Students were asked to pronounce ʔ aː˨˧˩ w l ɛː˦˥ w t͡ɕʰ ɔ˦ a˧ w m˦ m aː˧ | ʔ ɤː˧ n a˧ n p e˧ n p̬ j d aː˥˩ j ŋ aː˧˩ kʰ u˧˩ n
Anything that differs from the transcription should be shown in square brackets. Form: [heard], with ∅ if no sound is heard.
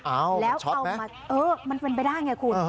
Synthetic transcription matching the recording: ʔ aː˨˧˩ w l ɛː˦˥ w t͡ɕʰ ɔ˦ a˧ w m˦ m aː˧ | ʔ ɤː˧ [m] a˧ n p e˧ n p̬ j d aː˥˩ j ŋ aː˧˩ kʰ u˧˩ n